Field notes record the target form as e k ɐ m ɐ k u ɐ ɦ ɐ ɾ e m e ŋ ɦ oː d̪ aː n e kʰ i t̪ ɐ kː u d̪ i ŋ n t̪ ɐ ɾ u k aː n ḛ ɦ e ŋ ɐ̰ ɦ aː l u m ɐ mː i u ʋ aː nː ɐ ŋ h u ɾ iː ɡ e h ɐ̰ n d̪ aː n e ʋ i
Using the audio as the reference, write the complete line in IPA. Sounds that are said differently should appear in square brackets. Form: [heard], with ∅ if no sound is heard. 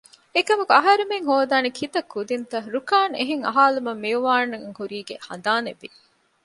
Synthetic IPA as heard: e k ɐ m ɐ k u ɐ ɦ ɐ ɾ e m e ŋ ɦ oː d̪ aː n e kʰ i t̪ ɐ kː u d̪ i [∅] n t̪ ɐ ɾ u k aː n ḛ ɦ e ŋ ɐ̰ ɦ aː l u m ɐ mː i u ʋ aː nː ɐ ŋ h u ɾ iː ɡ e h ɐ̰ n d̪ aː n e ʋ i